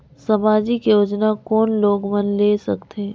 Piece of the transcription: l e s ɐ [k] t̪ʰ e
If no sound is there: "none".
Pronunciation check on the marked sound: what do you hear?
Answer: k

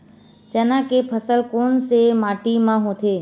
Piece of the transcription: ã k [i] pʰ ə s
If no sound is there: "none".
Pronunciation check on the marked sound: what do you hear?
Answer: e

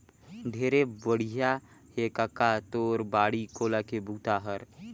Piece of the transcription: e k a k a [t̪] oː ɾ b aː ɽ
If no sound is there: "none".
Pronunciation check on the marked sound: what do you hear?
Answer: t̪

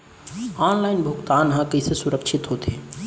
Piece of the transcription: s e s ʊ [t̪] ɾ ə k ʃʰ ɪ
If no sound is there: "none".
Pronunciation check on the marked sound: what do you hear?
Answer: none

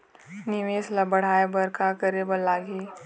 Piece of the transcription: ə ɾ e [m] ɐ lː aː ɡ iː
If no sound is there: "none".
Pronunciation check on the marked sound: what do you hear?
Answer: b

